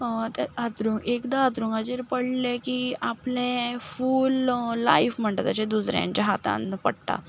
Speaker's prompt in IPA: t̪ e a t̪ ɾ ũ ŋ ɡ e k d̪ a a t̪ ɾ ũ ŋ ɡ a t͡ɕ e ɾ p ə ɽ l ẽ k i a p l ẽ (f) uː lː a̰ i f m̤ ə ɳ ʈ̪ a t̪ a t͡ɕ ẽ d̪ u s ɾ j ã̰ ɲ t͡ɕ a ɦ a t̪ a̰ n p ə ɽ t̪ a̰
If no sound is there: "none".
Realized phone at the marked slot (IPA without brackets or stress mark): f